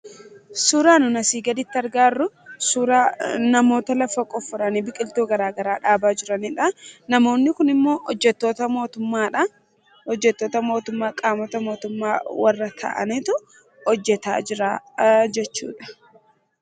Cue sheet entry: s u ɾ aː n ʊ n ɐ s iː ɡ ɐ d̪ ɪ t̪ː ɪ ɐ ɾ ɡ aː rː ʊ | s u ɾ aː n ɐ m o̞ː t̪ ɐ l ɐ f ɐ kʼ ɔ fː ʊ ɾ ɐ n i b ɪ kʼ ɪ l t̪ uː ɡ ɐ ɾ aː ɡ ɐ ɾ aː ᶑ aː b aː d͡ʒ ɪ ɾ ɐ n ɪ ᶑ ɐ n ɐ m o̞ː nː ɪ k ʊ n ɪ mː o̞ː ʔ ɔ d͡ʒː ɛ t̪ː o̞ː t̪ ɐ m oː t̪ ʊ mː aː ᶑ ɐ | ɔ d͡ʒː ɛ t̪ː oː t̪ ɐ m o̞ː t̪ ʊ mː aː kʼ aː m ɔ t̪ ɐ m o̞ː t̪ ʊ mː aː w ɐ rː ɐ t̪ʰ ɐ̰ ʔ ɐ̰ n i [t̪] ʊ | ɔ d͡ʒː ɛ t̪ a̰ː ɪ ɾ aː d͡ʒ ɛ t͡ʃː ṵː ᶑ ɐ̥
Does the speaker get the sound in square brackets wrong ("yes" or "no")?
no